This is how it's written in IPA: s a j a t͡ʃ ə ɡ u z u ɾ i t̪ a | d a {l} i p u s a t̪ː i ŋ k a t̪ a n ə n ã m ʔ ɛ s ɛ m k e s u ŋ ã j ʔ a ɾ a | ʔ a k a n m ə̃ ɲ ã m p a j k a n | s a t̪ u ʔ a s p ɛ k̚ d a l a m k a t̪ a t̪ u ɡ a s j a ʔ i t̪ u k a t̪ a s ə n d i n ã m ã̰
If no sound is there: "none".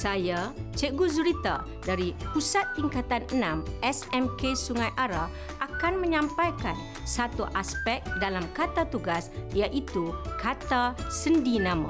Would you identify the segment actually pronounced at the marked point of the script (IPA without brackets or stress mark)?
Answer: ɾ